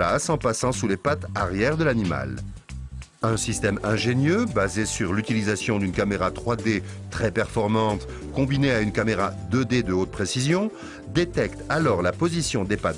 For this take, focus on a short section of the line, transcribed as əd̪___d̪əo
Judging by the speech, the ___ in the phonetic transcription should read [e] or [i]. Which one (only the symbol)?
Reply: e